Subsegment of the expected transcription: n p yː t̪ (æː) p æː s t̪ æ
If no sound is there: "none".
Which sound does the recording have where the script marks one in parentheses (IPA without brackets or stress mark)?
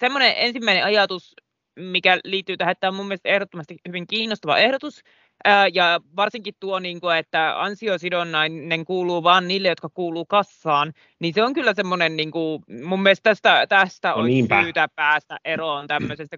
æ